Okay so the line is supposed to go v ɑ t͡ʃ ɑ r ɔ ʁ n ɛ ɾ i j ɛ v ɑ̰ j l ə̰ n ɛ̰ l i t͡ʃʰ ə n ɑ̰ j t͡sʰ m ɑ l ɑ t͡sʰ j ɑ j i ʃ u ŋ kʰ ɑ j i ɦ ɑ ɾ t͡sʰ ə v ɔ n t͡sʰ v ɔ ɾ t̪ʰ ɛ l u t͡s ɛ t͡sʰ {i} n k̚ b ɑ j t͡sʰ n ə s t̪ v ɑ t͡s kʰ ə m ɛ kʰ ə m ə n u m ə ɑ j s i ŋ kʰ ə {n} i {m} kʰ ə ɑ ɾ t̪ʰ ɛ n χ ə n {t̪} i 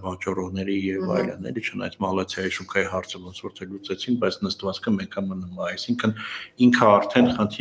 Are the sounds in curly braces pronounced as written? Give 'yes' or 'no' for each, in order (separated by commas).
yes, yes, no, no